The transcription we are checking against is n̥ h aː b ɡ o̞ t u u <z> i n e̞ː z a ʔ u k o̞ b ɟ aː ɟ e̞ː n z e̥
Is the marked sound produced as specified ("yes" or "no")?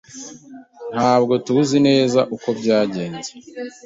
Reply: yes